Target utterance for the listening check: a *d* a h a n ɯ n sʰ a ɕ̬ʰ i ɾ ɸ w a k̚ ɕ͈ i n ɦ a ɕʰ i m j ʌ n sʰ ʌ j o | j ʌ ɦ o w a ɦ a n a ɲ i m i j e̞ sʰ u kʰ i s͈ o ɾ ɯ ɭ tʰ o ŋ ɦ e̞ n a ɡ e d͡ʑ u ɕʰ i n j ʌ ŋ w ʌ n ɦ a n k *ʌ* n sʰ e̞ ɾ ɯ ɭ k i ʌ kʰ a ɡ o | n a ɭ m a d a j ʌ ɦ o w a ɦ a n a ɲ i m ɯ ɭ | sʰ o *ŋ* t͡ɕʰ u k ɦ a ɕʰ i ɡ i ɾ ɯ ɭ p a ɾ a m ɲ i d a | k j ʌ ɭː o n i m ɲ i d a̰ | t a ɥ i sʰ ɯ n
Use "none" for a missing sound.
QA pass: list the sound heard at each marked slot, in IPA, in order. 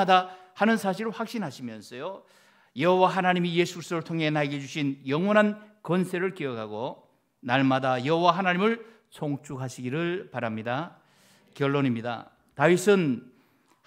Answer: d, ʌ, ŋ

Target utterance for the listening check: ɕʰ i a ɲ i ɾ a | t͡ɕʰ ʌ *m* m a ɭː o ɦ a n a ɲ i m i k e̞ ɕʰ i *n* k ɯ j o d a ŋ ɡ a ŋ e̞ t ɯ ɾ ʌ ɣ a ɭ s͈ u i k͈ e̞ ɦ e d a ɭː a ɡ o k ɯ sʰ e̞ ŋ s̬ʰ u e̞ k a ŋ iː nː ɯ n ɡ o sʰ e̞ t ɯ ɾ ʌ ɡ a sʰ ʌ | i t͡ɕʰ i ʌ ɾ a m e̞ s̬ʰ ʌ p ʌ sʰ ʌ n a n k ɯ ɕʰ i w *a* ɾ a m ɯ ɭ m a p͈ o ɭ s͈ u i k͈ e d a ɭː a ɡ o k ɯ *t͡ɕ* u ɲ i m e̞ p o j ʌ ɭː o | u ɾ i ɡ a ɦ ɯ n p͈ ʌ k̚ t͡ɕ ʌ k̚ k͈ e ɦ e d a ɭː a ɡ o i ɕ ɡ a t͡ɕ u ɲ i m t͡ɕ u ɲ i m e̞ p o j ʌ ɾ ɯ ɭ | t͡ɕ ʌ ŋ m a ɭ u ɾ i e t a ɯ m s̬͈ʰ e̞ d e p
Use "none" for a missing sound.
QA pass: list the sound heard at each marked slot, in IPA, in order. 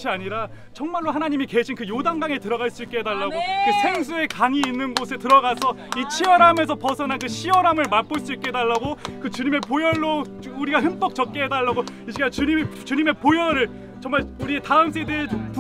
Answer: ŋ, n, ʌ, t͡ɕ

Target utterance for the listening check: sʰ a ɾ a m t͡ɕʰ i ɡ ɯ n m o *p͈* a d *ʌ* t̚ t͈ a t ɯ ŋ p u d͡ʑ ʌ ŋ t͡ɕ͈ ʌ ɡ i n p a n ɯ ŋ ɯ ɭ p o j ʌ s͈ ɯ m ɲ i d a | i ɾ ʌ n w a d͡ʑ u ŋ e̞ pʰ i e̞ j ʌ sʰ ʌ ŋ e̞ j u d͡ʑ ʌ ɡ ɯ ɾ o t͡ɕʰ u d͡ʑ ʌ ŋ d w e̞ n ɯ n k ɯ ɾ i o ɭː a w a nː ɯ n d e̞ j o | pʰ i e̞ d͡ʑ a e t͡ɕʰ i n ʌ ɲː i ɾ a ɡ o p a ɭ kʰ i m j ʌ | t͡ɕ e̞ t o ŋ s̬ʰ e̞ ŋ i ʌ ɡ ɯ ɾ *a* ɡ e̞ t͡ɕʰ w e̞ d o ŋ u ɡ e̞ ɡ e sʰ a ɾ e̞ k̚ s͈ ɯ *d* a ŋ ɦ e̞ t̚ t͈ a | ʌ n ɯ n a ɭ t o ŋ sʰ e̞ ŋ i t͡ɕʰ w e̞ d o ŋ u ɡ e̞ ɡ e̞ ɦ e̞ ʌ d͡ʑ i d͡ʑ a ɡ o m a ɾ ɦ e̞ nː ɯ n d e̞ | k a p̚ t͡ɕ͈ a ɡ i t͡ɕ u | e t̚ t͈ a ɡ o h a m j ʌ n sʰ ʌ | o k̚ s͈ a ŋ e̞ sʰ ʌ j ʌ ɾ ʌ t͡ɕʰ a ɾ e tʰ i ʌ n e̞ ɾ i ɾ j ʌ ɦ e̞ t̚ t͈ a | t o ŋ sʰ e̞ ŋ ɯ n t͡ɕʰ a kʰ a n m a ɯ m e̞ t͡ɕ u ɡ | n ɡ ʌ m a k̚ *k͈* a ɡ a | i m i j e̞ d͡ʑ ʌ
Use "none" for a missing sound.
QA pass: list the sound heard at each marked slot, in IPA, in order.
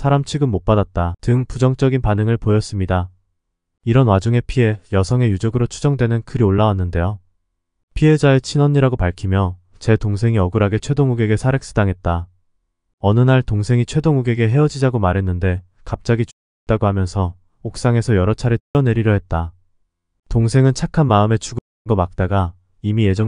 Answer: p͈, a, a, d, t͈

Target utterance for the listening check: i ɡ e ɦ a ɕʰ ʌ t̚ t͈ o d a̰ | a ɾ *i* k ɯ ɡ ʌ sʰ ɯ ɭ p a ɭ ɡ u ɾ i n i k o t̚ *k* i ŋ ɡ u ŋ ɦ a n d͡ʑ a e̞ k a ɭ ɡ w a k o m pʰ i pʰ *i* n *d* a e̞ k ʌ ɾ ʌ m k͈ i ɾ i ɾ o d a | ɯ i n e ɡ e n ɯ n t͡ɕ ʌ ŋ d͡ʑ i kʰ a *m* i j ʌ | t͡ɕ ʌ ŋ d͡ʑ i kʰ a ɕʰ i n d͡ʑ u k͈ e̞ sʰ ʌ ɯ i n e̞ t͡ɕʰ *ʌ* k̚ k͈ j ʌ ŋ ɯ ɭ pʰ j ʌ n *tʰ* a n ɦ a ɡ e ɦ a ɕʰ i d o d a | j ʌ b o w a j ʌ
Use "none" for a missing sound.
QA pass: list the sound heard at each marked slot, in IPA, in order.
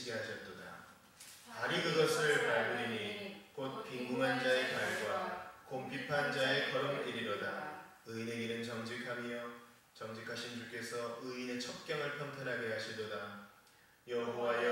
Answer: i, p, a, d͡ʑ, m, ʌ, tʰ

